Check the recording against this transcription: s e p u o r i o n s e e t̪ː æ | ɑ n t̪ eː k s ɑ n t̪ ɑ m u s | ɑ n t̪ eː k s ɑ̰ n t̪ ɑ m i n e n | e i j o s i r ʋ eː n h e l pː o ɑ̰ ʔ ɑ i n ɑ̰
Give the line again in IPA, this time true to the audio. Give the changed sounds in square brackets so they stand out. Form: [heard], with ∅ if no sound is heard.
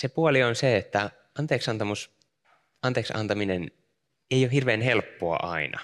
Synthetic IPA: s e p u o [l] i o n s e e t̪ː æ | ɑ n t̪ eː k s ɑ n t̪ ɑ m u s | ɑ n t̪ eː k s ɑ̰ n t̪ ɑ m i n e n | e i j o [h] i r ʋ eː n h e l pː o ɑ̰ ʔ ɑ i n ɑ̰